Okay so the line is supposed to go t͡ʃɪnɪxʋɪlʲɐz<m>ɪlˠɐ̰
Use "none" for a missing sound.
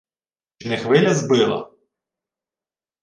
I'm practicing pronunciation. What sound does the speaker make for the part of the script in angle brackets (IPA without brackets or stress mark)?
b